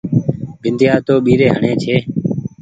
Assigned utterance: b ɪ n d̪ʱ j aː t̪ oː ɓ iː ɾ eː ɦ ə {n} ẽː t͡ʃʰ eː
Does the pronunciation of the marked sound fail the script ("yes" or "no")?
yes